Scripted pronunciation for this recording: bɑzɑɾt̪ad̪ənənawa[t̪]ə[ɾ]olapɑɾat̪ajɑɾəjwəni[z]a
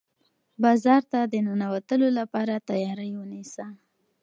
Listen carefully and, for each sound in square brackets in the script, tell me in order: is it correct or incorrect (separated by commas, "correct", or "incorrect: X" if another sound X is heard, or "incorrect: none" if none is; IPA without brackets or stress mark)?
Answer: correct, incorrect: l, incorrect: s